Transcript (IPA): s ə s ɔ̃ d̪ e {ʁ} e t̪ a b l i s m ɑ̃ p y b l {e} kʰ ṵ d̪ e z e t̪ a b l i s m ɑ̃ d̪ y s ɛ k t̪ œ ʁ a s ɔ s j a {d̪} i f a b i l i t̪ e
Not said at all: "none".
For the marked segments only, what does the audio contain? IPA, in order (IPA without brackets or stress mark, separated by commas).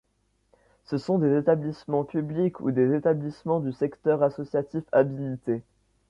z, i, t̪